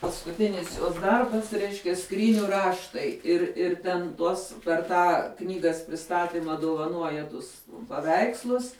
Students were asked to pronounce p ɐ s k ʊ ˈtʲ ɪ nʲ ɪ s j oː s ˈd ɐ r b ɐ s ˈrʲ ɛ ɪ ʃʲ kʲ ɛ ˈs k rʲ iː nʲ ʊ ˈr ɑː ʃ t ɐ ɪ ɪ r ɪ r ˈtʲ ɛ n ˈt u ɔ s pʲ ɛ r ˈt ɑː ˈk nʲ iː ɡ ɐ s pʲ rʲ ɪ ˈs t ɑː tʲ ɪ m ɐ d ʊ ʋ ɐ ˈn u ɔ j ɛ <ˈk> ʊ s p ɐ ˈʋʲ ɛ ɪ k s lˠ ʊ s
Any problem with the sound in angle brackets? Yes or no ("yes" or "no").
yes